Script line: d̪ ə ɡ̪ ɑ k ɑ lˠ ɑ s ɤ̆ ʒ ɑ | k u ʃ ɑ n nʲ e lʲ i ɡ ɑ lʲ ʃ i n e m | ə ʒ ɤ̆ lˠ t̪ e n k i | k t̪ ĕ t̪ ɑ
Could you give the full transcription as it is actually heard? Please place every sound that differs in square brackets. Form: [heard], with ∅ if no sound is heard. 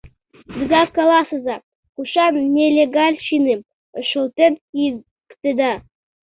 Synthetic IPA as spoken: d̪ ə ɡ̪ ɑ k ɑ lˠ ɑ s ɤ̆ [z] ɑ | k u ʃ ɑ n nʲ e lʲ [e] ɡ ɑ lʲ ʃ i n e m | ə [ʃ] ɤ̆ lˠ t̪ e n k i | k t̪ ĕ [d̪] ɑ